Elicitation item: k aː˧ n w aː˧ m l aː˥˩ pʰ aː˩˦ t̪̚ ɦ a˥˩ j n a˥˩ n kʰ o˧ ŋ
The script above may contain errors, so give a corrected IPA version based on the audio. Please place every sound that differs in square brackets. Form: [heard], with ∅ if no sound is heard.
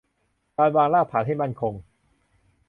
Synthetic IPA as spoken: k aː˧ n w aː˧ [ŋ] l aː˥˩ pʰ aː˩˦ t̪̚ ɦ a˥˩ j [m] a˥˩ n kʰ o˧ ŋ